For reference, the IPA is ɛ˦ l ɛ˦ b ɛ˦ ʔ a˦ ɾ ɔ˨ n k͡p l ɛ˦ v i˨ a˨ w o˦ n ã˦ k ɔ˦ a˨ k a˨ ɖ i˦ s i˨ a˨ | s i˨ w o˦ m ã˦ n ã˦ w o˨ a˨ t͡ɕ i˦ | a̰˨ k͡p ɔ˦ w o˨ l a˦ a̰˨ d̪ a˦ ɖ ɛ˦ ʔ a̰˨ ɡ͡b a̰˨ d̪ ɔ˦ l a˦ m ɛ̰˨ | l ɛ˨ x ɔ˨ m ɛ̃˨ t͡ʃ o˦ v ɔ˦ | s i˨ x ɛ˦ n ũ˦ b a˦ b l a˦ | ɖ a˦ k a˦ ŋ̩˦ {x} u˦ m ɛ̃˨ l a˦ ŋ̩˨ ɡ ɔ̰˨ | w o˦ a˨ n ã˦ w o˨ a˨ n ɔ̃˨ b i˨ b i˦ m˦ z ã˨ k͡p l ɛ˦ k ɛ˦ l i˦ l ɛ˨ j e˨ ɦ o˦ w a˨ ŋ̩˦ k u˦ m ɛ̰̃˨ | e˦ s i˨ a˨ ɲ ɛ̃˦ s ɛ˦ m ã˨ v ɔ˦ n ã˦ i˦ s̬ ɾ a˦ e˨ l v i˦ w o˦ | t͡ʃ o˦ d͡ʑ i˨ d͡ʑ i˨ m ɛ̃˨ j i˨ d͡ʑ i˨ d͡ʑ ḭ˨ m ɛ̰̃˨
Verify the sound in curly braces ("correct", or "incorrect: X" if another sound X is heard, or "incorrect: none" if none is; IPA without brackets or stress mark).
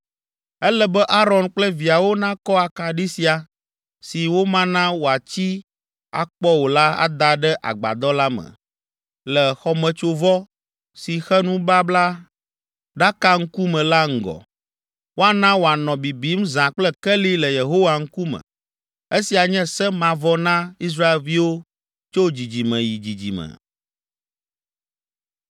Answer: incorrect: k